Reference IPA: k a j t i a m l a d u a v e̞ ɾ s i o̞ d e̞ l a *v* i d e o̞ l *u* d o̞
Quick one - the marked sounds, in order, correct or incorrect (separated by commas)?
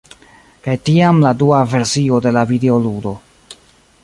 correct, correct